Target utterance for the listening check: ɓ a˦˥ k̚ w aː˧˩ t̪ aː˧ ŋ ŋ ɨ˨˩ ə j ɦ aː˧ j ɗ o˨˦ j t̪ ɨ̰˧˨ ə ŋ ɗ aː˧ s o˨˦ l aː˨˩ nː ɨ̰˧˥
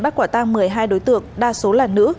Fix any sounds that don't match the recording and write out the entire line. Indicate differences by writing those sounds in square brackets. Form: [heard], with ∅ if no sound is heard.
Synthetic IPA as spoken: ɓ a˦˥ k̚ w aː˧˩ t̪ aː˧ ŋ [m] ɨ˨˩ ə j ɦ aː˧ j ɗ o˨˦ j t̪ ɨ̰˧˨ ə ŋ ɗ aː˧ s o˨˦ l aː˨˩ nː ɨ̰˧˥